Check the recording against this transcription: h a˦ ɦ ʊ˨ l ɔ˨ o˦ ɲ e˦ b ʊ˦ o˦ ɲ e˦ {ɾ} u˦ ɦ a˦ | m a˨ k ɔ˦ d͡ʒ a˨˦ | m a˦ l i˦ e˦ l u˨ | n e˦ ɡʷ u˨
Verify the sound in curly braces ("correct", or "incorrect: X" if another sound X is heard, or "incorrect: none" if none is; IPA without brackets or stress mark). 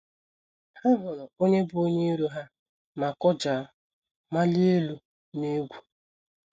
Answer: correct